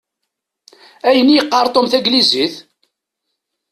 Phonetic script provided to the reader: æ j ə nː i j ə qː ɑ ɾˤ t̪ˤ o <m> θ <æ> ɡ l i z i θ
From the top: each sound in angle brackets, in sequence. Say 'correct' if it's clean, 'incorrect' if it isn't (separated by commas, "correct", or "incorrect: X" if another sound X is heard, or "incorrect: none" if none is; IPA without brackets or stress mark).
correct, correct